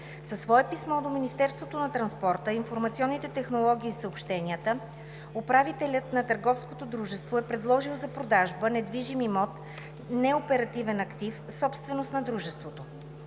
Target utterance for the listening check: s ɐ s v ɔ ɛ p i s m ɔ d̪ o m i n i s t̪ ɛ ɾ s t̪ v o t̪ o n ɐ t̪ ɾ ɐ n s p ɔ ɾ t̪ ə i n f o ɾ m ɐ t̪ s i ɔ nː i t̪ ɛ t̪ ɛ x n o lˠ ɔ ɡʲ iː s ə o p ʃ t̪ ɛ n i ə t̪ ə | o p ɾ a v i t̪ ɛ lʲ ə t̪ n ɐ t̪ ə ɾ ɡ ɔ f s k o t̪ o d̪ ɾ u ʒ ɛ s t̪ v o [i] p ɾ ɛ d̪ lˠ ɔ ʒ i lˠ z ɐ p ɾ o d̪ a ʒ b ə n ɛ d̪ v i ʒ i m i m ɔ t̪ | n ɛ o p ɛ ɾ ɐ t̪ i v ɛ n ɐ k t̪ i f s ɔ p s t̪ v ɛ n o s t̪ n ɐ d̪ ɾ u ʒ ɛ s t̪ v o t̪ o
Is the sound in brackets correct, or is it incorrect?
incorrect